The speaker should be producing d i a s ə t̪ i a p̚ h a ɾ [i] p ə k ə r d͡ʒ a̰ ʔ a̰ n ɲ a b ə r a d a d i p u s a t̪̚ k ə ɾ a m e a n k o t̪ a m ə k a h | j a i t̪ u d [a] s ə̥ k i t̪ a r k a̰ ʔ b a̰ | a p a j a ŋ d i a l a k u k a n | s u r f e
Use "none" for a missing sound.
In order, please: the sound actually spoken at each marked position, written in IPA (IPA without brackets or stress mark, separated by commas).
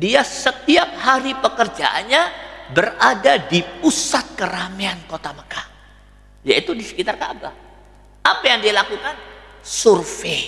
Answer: i, i